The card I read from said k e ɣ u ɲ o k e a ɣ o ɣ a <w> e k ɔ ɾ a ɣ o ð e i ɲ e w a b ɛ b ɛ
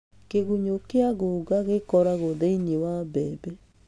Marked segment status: incorrect: ɣ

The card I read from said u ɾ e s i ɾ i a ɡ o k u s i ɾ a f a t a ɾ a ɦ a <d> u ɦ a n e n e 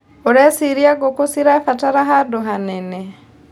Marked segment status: correct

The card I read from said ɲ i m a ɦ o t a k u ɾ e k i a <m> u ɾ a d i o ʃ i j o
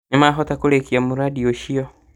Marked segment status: correct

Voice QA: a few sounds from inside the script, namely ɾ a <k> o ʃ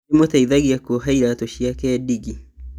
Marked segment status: incorrect: t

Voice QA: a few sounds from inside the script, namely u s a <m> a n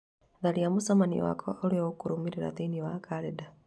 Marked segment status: correct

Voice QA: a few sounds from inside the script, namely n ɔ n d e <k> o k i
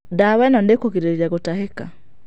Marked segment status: correct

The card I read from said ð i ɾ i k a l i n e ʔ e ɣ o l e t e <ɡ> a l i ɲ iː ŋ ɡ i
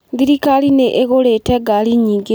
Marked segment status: correct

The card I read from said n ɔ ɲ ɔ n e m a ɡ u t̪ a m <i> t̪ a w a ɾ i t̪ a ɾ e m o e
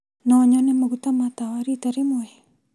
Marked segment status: incorrect: a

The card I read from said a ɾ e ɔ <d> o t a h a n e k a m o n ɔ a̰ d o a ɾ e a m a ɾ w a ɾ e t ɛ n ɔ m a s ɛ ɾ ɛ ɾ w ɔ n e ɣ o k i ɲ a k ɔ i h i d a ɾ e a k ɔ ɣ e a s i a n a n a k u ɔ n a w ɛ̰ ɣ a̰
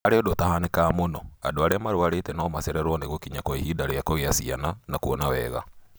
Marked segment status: correct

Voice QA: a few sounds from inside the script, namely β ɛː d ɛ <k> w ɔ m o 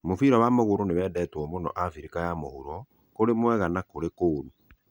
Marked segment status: incorrect: t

